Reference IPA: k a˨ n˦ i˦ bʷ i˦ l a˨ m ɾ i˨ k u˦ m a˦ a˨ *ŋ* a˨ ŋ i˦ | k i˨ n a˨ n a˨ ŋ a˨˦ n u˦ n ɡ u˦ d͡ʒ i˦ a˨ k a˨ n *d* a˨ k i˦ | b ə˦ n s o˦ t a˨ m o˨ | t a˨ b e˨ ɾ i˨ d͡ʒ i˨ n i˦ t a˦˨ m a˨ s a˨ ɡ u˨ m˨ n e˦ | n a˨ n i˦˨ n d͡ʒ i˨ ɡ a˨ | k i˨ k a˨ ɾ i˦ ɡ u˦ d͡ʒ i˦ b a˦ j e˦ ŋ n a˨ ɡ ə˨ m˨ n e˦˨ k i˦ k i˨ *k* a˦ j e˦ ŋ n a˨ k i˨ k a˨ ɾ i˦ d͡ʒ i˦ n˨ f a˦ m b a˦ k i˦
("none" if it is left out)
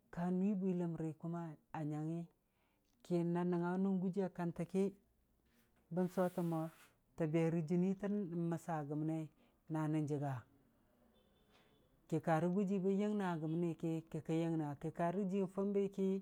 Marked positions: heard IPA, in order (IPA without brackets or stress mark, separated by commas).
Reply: ɲ, t, k